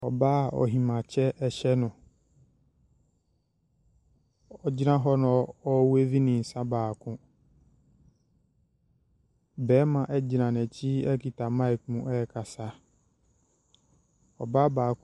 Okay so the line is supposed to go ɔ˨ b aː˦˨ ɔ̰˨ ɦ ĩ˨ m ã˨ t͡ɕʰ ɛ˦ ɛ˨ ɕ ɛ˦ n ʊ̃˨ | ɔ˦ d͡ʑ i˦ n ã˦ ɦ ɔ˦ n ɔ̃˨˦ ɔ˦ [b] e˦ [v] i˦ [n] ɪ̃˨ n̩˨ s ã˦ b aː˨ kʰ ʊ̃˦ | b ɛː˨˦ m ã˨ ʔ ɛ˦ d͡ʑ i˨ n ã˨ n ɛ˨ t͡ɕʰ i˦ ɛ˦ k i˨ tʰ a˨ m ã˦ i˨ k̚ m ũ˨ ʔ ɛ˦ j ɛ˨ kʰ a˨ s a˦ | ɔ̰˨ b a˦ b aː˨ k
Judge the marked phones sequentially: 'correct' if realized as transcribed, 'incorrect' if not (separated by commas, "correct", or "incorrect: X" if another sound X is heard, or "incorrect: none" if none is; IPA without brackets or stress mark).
incorrect: w, correct, correct